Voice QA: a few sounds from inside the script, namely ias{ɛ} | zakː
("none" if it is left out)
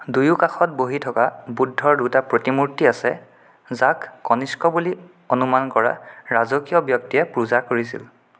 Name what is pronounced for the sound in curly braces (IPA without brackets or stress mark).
ɛ